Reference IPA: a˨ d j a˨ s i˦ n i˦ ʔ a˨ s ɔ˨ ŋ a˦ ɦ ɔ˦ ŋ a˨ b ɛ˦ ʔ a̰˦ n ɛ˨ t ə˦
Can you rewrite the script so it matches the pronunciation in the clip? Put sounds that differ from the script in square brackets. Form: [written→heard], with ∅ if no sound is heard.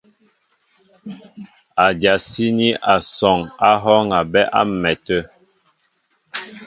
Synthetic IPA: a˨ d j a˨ s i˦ n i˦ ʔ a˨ s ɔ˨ ŋ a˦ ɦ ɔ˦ ŋ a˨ b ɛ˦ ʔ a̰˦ [n→m] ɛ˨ t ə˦